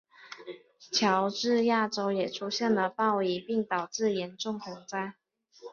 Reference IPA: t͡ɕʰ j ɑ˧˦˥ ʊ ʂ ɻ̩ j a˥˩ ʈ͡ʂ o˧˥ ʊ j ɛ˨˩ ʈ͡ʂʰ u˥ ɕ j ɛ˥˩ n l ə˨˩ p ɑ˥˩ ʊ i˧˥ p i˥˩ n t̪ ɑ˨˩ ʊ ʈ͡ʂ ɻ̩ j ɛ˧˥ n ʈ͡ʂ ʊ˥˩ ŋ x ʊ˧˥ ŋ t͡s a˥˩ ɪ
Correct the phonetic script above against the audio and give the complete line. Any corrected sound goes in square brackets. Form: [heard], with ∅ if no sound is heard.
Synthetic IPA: t͡ɕʰ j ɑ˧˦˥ ʊ [ʈ͡ʂ] ɻ̩ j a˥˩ ʈ͡ʂ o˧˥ ʊ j ɛ˨˩ ʈ͡ʂʰ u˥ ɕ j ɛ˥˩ n l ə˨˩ p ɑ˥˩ ʊ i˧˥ p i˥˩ [ŋ] t̪ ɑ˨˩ ʊ ʈ͡ʂ ɻ̩ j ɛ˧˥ n ʈ͡ʂ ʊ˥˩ ŋ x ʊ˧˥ ŋ t͡s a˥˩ ɪ